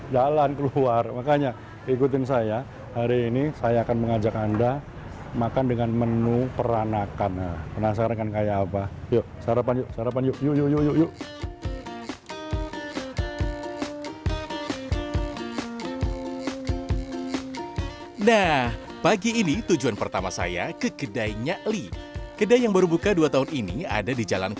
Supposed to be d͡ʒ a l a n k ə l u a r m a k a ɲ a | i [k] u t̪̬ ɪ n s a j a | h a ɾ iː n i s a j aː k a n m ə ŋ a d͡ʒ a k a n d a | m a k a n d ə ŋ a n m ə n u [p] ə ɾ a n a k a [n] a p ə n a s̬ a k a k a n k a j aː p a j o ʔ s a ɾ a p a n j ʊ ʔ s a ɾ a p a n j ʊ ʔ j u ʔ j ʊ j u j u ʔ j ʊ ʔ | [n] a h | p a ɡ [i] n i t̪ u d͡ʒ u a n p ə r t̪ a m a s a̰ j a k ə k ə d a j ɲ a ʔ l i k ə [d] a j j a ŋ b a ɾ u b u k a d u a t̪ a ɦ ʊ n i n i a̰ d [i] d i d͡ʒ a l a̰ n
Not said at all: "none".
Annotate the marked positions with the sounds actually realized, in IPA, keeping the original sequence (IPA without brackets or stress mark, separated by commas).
k, p, n, n, iː, d, a